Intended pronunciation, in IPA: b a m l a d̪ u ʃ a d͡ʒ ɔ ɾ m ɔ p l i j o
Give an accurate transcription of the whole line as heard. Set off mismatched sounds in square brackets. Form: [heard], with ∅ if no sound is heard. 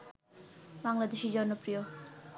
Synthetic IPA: [m] a [ŋ] l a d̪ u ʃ [i] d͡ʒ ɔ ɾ [n] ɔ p [ɾ] i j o

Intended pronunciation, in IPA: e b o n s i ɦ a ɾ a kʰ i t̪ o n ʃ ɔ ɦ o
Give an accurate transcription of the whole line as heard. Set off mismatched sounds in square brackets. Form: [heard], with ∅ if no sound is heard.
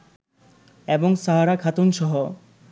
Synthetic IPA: e b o [ŋ] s [a] ɦ a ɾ a kʰ [a] t̪ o n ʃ ɔ ɦ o

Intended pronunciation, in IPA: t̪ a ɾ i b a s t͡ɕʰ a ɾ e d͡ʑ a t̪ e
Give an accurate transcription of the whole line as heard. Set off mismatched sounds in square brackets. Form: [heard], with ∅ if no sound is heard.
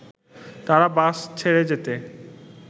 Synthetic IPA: t̪ a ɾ [a] b a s t͡ɕʰ [e] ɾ e d͡ʑ [e] t̪ e

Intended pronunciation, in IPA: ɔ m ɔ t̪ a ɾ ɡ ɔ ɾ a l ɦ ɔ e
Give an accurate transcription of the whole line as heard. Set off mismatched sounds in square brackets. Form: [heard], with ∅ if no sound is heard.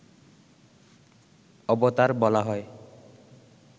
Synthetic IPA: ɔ [b] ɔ t̪ a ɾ [b] ɔ [l] a [∅] ɦ ɔ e

